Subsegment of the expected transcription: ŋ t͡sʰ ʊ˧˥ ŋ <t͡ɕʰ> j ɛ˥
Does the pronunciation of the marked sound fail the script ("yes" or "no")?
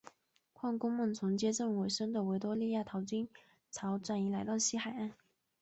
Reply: yes